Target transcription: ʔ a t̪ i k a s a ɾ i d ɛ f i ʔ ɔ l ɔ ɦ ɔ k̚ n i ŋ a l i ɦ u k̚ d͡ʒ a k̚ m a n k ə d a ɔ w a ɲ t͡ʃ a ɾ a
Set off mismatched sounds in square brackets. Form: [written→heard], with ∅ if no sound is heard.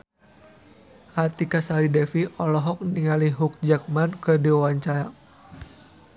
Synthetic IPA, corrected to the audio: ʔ a t̪ i k a s a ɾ i d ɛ f i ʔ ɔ l ɔ ɦ ɔ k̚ n i ŋ a l i ɦ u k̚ d͡ʒ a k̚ m a n k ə d [a→i] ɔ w a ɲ t͡ʃ a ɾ a